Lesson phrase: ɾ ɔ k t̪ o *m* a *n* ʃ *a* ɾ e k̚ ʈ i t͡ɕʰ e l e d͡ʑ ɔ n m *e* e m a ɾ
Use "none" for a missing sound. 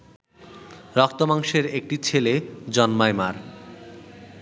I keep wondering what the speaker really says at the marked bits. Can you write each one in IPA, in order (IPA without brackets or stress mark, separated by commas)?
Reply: m, ŋ, e, a